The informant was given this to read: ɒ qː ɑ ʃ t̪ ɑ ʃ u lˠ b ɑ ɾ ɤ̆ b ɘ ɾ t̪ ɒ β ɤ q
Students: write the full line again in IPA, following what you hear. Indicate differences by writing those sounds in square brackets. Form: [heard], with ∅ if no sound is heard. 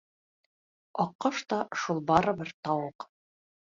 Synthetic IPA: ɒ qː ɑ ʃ t̪ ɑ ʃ u lˠ b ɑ ɾ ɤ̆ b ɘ ɾ t̪ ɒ [w] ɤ q